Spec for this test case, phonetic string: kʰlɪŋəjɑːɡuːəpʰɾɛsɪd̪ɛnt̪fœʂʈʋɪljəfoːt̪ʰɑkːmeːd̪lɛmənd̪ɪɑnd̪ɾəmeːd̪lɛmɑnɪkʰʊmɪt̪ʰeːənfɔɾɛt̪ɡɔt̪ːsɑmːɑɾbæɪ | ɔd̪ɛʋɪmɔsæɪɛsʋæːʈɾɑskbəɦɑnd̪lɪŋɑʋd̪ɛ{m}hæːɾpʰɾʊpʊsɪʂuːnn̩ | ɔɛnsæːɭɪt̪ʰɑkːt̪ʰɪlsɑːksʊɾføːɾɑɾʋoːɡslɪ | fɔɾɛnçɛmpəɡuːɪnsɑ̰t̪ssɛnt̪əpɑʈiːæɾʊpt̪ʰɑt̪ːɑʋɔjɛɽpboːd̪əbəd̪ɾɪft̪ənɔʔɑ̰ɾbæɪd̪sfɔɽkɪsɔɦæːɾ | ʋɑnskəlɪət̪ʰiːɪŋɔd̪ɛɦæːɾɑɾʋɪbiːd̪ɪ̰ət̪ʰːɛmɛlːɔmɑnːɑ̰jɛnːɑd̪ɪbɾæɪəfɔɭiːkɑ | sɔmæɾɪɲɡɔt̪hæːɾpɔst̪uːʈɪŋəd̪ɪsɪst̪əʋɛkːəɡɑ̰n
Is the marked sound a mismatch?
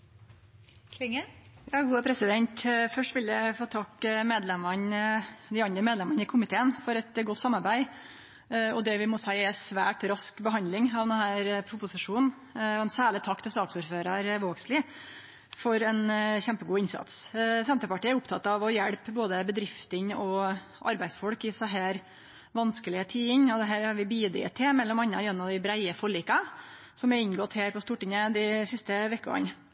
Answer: yes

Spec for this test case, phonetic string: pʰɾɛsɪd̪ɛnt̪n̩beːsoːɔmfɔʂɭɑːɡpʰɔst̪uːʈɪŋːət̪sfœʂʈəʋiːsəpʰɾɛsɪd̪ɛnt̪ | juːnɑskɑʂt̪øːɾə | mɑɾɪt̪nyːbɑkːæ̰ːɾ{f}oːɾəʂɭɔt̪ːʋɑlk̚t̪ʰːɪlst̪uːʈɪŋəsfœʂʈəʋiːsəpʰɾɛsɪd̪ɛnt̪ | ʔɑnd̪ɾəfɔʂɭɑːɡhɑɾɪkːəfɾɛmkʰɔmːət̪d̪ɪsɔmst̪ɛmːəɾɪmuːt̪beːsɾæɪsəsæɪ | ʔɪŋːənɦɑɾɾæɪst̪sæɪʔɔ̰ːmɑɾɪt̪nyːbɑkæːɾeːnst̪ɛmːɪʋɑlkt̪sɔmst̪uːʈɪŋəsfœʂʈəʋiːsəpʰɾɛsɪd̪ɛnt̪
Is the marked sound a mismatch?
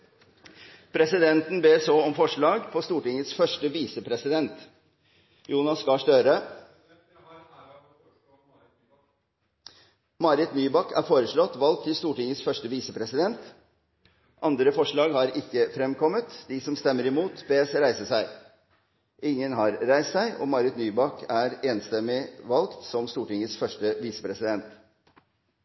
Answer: no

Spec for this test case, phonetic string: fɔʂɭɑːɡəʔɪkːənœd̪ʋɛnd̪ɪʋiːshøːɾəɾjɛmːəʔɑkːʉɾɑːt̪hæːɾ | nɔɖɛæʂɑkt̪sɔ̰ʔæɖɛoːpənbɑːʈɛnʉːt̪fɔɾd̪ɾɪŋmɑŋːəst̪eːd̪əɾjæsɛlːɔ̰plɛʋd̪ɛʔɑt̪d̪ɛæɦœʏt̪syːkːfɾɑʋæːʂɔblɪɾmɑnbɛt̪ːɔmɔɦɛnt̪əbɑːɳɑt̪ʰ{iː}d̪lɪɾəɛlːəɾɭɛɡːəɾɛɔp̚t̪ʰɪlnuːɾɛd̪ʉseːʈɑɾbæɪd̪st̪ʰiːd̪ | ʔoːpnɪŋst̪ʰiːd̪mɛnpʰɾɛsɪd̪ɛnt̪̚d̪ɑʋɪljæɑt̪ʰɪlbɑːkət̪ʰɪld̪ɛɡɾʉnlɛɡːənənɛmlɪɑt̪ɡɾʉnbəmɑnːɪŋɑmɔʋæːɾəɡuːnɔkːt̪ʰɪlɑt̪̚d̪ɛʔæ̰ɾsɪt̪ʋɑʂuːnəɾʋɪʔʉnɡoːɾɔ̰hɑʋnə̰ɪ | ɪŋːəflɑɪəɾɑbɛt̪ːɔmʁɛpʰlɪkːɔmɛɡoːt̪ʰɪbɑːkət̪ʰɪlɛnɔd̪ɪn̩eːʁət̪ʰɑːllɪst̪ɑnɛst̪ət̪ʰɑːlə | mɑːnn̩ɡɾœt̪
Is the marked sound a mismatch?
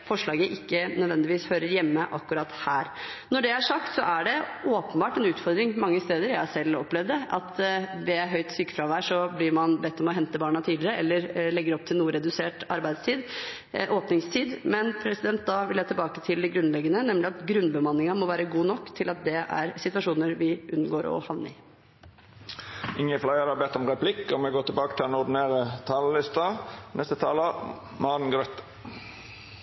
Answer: no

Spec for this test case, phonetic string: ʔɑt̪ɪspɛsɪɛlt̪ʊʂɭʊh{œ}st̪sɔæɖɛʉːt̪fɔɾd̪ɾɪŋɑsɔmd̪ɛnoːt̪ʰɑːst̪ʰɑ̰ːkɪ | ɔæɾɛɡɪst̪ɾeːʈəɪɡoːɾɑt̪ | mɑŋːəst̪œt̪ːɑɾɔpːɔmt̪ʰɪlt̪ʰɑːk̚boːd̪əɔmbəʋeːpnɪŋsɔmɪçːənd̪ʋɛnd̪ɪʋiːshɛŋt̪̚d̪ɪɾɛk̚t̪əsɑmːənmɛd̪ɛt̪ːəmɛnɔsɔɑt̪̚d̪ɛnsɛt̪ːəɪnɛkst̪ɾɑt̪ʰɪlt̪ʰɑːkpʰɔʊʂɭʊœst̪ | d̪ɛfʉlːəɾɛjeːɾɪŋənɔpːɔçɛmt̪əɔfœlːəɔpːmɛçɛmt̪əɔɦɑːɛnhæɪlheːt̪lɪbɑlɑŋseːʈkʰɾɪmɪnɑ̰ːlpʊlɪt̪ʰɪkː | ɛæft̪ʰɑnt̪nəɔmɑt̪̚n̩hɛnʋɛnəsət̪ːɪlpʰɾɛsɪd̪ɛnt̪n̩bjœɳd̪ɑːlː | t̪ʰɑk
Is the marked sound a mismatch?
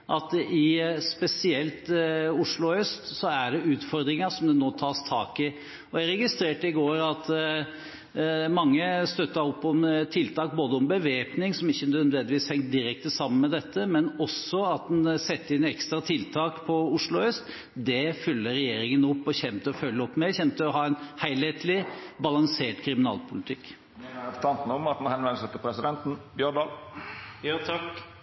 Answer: no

